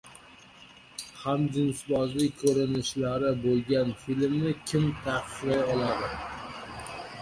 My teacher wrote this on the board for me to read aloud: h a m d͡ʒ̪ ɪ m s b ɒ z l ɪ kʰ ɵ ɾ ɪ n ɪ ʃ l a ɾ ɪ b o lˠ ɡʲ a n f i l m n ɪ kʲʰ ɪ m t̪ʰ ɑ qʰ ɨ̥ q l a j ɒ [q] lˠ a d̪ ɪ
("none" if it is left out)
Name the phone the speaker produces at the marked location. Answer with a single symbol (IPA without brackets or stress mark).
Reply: none